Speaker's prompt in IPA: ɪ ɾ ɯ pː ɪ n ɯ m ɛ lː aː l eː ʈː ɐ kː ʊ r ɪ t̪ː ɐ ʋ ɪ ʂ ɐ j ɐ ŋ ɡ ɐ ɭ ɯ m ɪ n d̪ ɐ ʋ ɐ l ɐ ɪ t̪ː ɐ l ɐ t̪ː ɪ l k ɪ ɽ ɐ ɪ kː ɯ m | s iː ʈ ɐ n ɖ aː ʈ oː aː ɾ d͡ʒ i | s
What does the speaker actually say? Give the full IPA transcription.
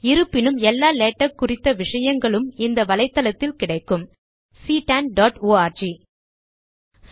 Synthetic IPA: ɪ ɾ ɯ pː ɪ n ɯ m ɛ lː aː l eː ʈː ɐ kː ʊ r ɪ t̪ː ɐ ʋ ɪ ʂ ɐ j ɐ ŋ ɡ ɐ ɭ ɯ m ɪ n d̪ ɐ ʋ ɐ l ɐ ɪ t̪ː ɐ l ɐ t̪ː ɪ l k ɪ ɽ ɐ ɪ kː ɯ m | s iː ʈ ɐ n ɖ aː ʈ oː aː ɾ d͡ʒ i | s